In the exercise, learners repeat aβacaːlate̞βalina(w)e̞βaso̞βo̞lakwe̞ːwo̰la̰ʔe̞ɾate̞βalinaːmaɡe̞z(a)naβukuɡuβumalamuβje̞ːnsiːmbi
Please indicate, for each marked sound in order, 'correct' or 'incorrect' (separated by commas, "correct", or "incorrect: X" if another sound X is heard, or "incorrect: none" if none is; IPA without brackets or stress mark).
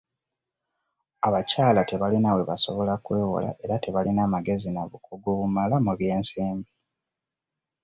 correct, incorrect: i